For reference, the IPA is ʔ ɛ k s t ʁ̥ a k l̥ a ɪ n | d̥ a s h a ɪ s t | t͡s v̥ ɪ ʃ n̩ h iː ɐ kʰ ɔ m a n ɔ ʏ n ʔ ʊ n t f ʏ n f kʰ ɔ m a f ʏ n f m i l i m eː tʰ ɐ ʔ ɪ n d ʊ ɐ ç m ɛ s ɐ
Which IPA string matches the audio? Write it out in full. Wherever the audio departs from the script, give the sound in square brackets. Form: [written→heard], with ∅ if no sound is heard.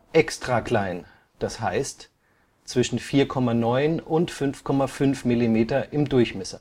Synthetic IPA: ʔ ɛ k s t ʁ̥ a k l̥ a ɪ n | d̥ a s h a ɪ s t | t͡s v̥ ɪ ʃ n̩ [h→f] iː ɐ kʰ ɔ m a n ɔ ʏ n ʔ ʊ n t f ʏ n f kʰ ɔ m a f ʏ n f m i l i m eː [tʰ→t] ɐ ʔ ɪ [n→m] d ʊ ɐ ç m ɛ s ɐ